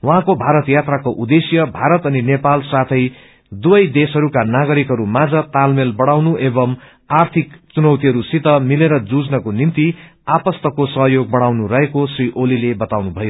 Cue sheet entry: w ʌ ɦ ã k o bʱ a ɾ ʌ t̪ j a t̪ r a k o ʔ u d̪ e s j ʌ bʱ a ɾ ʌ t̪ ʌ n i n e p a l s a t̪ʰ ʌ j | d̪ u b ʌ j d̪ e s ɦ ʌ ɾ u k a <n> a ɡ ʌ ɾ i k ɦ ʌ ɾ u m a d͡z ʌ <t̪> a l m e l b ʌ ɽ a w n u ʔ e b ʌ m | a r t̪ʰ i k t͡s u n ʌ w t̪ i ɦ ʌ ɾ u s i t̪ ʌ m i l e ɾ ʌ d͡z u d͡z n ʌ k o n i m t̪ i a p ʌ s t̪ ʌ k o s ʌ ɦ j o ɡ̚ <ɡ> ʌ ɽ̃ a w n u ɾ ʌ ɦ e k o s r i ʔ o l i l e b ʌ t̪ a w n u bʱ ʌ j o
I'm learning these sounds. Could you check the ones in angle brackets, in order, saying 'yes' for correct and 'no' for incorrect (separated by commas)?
yes, yes, no